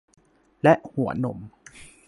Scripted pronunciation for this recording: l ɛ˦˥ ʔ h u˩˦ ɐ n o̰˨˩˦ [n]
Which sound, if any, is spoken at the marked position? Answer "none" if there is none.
m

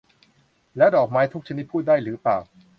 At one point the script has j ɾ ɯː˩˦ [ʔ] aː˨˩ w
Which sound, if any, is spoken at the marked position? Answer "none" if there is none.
p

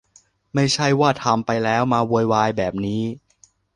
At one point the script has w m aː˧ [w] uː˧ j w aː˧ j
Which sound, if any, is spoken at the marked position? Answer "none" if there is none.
w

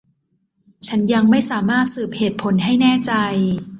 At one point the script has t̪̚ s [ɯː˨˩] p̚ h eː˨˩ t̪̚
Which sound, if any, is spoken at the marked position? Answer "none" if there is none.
ɯː˨˩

